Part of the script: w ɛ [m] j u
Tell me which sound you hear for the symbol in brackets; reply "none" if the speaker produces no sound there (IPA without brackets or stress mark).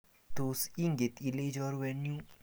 n